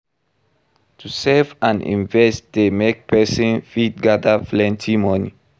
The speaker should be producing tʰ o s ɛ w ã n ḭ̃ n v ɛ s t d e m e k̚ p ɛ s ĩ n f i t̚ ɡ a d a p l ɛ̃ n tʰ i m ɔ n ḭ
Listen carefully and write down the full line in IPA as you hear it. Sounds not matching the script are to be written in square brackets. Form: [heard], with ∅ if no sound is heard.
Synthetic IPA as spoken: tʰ [u] s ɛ [v] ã n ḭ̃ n v ɛ s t d e m e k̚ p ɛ s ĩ n f i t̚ ɡ a d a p l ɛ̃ n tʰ i m ɔ n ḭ